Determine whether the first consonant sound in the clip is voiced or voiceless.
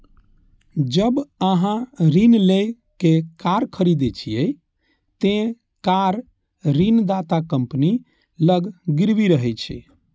voiced